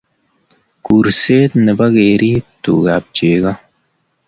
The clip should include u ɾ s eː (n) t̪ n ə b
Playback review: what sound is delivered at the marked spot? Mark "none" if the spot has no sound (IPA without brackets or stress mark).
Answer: none